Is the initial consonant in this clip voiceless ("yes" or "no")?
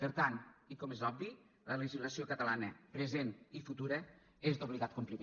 yes